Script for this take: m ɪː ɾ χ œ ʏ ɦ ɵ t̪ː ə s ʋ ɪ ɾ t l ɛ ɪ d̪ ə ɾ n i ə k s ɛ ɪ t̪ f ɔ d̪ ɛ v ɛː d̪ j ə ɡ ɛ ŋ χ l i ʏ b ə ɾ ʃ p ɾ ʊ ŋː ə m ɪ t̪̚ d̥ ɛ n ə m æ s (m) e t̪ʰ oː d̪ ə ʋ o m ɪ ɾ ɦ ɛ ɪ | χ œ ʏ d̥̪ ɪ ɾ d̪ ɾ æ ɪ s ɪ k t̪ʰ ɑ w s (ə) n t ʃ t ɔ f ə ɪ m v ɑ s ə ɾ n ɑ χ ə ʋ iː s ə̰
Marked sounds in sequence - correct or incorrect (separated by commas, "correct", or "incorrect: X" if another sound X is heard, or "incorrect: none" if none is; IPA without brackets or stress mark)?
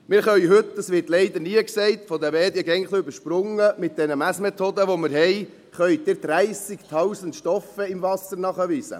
correct, correct